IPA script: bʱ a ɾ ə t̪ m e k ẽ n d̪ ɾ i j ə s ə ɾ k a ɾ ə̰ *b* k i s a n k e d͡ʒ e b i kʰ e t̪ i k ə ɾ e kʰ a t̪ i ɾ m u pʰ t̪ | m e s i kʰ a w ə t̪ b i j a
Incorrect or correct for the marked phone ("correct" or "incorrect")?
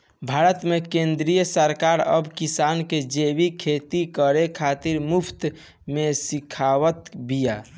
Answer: correct